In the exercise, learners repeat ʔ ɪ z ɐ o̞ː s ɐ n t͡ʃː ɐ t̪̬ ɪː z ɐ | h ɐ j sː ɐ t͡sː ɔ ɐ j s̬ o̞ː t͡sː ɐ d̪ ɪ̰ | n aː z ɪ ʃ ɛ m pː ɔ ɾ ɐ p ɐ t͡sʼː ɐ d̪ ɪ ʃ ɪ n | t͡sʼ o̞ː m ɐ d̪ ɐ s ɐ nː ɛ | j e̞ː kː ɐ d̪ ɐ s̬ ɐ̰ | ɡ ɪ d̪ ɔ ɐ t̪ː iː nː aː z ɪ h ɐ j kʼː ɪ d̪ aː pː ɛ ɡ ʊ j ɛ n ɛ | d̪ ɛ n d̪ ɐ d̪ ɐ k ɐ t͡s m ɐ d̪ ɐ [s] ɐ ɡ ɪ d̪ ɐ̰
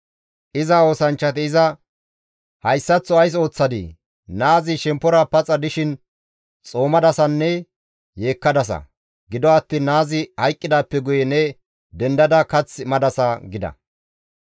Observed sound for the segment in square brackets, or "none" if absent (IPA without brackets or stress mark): s